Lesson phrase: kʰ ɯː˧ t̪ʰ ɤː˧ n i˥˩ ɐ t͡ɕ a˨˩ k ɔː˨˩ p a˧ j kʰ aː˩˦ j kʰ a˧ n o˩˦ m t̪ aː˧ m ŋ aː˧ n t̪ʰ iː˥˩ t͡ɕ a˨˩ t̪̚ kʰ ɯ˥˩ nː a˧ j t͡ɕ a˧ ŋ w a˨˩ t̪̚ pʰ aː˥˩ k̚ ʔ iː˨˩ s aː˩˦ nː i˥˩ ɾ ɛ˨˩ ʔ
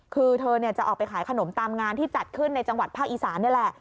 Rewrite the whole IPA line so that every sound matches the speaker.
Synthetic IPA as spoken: kʰ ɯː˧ t̪ʰ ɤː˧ n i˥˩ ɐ t͡ɕ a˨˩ ʔ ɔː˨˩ p a˧ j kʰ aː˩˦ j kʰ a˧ n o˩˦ m t̪ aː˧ m ŋ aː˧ n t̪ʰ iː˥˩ t͡ɕ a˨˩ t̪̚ kʰ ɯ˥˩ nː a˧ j t͡ɕ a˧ ŋ w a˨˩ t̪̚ pʰ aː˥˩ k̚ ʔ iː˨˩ s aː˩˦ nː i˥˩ l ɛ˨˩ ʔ